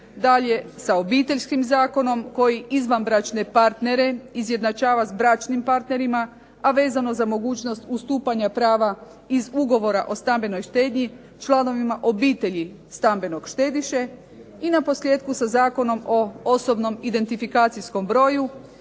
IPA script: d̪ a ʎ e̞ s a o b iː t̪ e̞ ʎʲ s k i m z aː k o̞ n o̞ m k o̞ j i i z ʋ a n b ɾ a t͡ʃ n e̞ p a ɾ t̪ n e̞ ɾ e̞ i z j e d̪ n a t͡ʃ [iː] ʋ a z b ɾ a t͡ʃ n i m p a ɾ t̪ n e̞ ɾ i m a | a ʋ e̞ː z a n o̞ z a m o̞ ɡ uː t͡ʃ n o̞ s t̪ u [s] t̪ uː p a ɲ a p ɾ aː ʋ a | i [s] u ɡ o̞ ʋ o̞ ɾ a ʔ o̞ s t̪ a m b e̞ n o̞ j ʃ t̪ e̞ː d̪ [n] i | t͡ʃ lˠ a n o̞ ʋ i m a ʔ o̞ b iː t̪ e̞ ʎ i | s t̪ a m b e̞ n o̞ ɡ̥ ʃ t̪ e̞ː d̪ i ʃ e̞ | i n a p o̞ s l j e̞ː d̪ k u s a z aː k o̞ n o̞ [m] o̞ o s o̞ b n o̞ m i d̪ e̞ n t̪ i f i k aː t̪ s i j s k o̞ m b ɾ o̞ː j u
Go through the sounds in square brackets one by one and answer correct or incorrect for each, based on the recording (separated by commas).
incorrect, correct, incorrect, incorrect, correct